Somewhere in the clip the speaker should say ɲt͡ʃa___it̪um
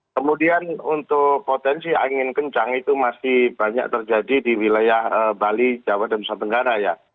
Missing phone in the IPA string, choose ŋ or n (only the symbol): ŋ